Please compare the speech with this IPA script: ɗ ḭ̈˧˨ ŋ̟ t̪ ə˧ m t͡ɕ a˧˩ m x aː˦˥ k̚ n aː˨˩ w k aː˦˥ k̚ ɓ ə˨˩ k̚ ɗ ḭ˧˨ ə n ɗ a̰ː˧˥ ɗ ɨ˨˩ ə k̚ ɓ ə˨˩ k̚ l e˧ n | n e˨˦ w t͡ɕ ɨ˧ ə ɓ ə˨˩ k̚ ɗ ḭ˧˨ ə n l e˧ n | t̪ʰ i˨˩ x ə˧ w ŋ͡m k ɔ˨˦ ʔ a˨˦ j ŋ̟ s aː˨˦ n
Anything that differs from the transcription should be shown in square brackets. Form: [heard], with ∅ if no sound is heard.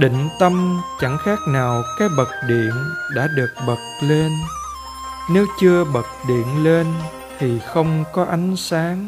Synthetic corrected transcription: ɗ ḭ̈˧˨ ŋ̟ t̪ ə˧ m t͡ɕ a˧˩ [ŋ] x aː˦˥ k̚ n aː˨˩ w k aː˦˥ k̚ ɓ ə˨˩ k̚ ɗ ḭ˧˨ ə n ɗ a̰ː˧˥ ɗ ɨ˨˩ ə k̚ ɓ ə˨˩ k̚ l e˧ n | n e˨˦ w t͡ɕ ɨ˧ ə ɓ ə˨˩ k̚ ɗ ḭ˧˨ ə n l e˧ n | t̪ʰ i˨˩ x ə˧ w ŋ͡m k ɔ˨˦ ʔ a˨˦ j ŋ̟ s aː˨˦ [ŋ]